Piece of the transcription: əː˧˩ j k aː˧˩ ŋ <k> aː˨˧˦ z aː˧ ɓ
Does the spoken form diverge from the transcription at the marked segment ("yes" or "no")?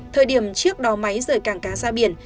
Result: no